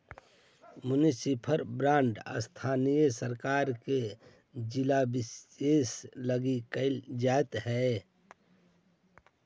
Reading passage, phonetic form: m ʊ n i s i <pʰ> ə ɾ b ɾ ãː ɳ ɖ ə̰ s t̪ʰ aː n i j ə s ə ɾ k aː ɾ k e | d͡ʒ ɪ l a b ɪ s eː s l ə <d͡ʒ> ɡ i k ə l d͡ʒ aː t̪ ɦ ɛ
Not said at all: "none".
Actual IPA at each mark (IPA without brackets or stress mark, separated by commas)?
pʰ, none